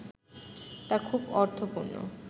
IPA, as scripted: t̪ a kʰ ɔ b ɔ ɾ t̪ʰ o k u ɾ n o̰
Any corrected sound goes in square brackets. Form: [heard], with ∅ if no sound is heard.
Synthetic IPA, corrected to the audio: t̪ a kʰ [u] b ɔ ɾ t̪ʰ o [p] u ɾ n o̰

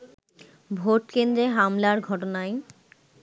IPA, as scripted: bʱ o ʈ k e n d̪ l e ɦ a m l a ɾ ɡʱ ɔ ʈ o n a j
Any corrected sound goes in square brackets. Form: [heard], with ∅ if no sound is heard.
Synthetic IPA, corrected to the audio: bʱ o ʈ k e n d̪ [ɾ] e ɦ a m l a ɾ ɡʱ ɔ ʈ o n a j

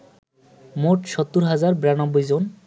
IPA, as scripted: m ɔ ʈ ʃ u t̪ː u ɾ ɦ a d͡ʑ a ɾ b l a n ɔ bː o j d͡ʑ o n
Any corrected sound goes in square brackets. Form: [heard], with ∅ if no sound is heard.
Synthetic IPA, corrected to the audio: m [o] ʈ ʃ [ɔ] t̪ː u ɾ ɦ a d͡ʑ a ɾ b [ɾ] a n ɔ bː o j d͡ʑ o n

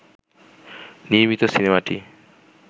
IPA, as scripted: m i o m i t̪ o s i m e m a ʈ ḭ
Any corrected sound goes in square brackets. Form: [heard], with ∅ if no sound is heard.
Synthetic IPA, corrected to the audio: [n] i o m i t̪ o s i [n] e m a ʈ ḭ

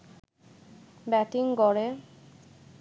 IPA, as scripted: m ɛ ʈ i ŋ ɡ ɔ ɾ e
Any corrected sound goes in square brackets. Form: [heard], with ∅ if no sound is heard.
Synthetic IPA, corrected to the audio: [b] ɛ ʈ i ŋ ɡ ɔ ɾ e

